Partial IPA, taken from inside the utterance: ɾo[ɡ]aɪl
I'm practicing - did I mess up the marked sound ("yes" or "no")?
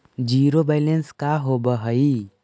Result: yes